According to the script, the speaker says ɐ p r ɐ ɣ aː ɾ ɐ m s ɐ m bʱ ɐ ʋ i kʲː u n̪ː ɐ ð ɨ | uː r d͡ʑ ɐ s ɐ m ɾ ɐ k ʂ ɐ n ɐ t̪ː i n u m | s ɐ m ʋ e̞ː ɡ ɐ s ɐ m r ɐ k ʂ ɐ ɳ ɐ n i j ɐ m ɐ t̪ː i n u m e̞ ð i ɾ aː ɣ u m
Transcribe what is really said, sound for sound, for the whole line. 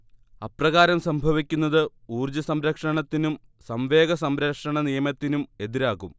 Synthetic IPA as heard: ɐ p r ɐ ɣ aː ɾ ɐ m s ɐ m bʱ ɐ ʋ i kʲː u n̪ː ɐ ð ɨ | uː r d͡ʑ ɐ s ɐ m ɾ ɐ k ʂ ɐ ɳ ɐ t̪ː i n u m | s ɐ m ʋ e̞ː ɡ ɐ s ɐ m ɾ ɐ k ʂ ɐ ɳ ɐ n i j ɐ m ɐ t̪ː i n u m e̞ ð i ɾ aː ɣ u m